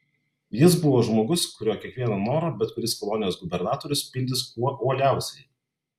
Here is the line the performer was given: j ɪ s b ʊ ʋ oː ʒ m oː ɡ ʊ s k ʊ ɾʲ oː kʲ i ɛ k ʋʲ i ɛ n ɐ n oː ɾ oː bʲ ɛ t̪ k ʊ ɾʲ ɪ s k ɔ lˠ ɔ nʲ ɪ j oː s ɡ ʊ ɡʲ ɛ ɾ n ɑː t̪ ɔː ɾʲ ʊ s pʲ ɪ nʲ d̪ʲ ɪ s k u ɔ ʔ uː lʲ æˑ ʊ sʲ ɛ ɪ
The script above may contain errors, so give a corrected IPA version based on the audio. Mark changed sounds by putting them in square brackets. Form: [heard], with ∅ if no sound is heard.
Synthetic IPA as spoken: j ɪ s b ʊ ʋ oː ʒ m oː ɡ ʊ s k ʊ ɾʲ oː kʲ i ɛ k ʋʲ i ɛ n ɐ n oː ɾ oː bʲ ɛ t̪ k ʊ ɾʲ ɪ s k ɔ lˠ ɔ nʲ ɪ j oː s ɡ ʊ [bʲ] ɛ ɾ n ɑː t̪ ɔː ɾʲ ʊ s pʲ ɪ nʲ d̪ʲ ɪ s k u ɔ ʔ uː lʲ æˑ ʊ sʲ ɛ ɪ